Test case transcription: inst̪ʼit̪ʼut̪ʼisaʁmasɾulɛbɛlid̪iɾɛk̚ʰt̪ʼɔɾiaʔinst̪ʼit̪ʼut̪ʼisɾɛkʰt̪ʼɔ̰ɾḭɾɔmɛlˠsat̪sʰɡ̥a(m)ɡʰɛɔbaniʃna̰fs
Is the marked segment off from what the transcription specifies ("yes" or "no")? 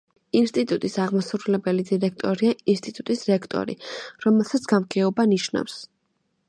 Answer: no